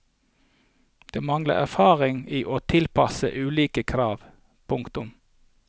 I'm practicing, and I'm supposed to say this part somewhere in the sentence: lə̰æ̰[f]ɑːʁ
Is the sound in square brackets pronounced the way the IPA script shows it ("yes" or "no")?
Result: yes